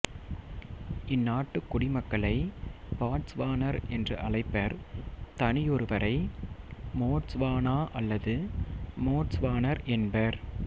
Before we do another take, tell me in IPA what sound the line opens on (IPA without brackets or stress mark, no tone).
ɪ